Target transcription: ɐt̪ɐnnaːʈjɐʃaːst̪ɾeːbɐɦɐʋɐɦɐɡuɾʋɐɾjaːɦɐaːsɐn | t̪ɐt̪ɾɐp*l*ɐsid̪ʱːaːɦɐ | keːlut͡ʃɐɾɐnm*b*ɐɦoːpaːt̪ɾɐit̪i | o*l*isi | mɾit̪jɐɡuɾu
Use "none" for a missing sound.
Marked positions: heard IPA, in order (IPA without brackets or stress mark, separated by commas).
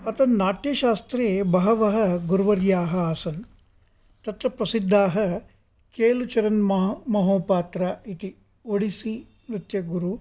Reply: ɾ, m, ɽ